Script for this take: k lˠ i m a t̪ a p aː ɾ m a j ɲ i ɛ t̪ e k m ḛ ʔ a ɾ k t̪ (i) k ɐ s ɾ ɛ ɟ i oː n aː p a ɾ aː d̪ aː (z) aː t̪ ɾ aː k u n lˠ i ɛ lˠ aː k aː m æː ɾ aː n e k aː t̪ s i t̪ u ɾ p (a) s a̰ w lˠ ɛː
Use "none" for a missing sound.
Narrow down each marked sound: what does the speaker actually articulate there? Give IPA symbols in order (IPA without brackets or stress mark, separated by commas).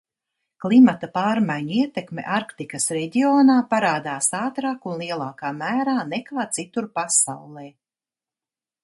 i, s, a